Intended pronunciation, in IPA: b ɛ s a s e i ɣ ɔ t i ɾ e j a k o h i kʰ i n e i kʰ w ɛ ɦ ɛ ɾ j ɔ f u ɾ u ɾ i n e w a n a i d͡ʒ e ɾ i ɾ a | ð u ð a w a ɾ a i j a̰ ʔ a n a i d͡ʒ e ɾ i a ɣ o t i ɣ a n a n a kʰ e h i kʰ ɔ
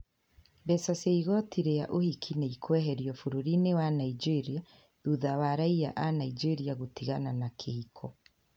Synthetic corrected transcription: b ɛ s a s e i ɣ ɔ t i ɾ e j a ʔ o h i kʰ i n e i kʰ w ɛ ɦ ɛ ɾ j ɔ f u ɾ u ɾ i n e w a n a i d͡ʒ e ɾ i a | ð u ð a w a ɾ a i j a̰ ʔ a n a i d͡ʒ e ɾ i a ɣ o t i ɣ a n a n a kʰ e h i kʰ ɔ